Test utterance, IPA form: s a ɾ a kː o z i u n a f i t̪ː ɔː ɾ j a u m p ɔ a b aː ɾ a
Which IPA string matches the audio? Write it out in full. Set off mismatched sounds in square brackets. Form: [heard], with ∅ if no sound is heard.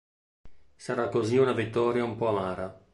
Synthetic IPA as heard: s a ɾ a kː o z i u n a [v] i t̪ː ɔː ɾ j a u m p ɔ a [m] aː ɾ a